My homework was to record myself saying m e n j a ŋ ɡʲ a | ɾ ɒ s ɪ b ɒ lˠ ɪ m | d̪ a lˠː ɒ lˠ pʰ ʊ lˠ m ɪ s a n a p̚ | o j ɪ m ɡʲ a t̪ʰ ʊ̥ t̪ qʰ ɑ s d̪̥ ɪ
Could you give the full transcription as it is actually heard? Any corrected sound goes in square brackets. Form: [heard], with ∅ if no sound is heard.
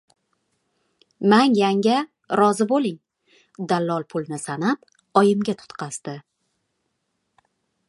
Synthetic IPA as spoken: m [a] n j a ŋ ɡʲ a | ɾ ɒ [z] ɪ b [o] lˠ ɪ [ŋ] | d̪ a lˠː ɒ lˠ pʰ ʊ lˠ [n] ɪ s a n a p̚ | [ɒ] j ɪ m ɡʲ a t̪ʰ ʊ̥ t̪ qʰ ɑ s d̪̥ ɪ

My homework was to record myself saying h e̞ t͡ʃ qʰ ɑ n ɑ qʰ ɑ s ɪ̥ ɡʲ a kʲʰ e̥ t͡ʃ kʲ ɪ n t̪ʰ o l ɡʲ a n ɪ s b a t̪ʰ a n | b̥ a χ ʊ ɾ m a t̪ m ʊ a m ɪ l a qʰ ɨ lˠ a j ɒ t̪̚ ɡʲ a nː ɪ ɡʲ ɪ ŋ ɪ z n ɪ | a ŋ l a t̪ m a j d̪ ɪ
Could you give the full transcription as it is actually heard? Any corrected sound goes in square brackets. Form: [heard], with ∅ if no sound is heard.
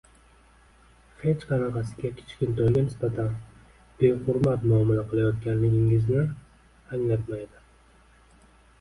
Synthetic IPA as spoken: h e̞ t͡ʃ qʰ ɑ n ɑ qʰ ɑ s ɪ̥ ɡʲ a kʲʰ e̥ t͡ʃ kʲ ɪ n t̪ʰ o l ɡʲ a n ɪ s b a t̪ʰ a n | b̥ [e] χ ʊ ɾ m a t̪ m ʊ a m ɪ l a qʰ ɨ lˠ a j ɒ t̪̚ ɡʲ a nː ɪ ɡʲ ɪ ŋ ɪ z n ɪ | a ŋ l a t̪ m a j d̪ ɪ

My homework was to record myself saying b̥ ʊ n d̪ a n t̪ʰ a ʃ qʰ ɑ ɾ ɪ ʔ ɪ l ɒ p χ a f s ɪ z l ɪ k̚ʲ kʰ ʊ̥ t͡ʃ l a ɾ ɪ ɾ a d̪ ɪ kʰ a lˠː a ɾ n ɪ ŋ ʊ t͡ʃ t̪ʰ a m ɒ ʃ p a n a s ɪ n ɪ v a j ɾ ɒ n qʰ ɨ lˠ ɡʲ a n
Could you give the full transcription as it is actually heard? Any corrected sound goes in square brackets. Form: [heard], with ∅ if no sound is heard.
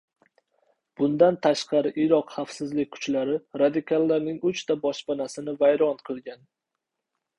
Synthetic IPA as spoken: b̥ ʊ n d̪ a n t̪ʰ a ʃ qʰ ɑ ɾ ɪ ʔ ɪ [ɾ] ɒ [q] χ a f s ɪ z l ɪ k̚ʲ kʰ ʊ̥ t͡ʃ l a ɾ ɪ ɾ a d̪ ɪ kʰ a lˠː a ɾ n ɪ ŋ ʊ t͡ʃ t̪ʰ a [b] ɒ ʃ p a n a s ɪ n ɪ v a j ɾ ɒ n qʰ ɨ lˠ ɡʲ a n

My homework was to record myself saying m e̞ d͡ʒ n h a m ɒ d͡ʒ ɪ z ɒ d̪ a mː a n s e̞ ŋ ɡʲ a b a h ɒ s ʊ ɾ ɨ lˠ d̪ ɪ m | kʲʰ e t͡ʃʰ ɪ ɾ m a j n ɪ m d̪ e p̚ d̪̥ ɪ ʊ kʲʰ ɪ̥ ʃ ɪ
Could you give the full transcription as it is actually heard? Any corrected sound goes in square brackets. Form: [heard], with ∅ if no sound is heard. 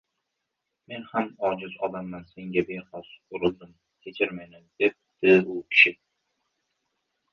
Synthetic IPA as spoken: m e̞ [∅] n h a m ɒ d͡ʒ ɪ z ɒ d̪ a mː a n s e̞ ŋ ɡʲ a b [e] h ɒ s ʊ ɾ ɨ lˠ d̪ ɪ m | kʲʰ e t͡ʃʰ ɪ ɾ m a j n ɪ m d̪ e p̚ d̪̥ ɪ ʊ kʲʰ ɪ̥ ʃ ɪ

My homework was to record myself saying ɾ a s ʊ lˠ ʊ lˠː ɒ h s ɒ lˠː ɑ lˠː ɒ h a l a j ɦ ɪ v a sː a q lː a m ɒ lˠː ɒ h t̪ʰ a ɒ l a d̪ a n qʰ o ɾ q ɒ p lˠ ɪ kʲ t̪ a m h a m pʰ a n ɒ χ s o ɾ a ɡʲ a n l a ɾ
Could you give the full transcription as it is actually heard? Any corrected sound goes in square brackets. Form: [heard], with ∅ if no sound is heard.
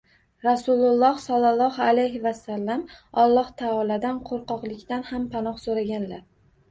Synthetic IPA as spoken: ɾ a s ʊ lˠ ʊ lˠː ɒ h s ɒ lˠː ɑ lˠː ɒ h a l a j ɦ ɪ v a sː a [∅] lː a m ɒ lˠː ɒ h t̪ʰ a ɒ l a d̪ a n qʰ o ɾ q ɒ [q] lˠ ɪ kʲ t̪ a [n] h a m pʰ a n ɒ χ s o ɾ a ɡʲ a n l a ɾ

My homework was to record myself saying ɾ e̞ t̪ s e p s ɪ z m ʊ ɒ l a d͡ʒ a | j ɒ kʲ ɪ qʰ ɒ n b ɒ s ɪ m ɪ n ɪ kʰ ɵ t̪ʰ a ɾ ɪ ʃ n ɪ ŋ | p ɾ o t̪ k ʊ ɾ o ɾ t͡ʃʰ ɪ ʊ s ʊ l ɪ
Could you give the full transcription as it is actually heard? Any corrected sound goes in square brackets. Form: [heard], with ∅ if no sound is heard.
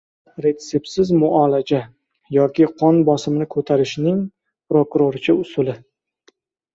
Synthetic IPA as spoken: ɾ e̞ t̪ s e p s ɪ z m ʊ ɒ l a d͡ʒ a | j ɒ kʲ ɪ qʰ ɒ n b ɒ s ɪ m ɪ n ɪ kʰ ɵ t̪ʰ a ɾ ɪ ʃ n ɪ ŋ | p ɾ o [∅] k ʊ ɾ o ɾ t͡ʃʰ ɪ ʊ s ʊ l ɪ

